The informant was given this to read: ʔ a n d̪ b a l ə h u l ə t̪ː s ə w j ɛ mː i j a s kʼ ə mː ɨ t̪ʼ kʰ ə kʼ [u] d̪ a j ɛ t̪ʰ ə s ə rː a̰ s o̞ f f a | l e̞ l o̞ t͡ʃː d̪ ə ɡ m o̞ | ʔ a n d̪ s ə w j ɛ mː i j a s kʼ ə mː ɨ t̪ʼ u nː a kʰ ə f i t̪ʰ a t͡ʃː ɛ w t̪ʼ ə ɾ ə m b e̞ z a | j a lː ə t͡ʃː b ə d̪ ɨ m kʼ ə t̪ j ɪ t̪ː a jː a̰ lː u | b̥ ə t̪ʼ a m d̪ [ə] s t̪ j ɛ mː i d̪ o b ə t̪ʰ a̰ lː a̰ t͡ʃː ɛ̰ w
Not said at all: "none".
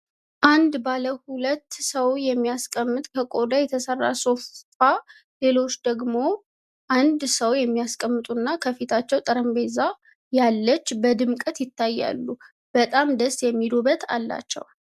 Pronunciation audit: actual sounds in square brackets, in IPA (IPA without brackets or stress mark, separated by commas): o, ə